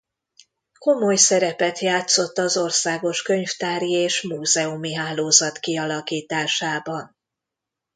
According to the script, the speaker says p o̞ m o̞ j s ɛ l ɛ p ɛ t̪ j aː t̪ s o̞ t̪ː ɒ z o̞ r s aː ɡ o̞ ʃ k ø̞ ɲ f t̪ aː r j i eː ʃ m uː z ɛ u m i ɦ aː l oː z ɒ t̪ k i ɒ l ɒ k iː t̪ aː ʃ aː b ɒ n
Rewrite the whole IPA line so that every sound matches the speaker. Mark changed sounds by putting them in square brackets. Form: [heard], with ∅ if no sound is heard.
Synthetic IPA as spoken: [k] o̞ m o̞ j s ɛ [ɾ] ɛ p ɛ t̪ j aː t̪ s o̞ t̪ː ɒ z o̞ r s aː ɡ o̞ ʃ k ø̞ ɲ f t̪ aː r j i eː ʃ m uː z ɛ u m i ɦ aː l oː z ɒ t̪ k i ɒ l ɒ k iː t̪ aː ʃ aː b ɒ n